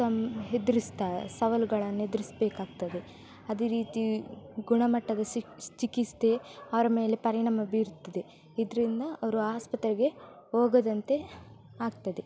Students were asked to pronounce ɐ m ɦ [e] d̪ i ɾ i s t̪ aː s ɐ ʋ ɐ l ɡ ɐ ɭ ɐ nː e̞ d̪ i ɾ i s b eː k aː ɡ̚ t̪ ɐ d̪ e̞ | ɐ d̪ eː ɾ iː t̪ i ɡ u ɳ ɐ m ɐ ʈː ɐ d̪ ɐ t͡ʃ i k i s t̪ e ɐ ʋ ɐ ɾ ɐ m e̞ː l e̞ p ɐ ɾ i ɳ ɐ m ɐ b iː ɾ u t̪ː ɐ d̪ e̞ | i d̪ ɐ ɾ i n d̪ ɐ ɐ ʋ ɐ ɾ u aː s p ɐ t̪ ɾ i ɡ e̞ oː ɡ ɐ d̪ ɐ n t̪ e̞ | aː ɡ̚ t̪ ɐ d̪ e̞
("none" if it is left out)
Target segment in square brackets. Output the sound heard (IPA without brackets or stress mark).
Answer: e